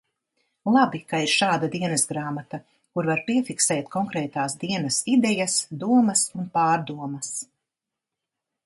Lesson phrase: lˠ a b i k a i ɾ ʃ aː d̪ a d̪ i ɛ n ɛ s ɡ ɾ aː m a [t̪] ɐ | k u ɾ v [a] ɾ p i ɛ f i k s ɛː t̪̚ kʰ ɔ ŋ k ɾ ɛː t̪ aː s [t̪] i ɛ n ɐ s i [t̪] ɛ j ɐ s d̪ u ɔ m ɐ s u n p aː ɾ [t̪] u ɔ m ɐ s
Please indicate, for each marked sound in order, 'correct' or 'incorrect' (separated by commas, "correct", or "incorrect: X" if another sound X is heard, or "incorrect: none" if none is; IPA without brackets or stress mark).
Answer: correct, correct, incorrect: d̪, incorrect: d̪, incorrect: d̪